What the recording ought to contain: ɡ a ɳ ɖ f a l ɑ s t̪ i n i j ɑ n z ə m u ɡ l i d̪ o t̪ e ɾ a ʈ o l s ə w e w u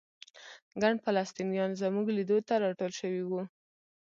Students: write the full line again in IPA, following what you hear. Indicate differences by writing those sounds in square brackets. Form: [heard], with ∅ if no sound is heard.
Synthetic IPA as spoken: ɡ a ɳ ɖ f a l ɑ s t̪ i n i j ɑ n z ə m u ɡ l i d̪ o t̪ [a] ɾ [ɑ] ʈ o l [ʃ] ə w [i] w u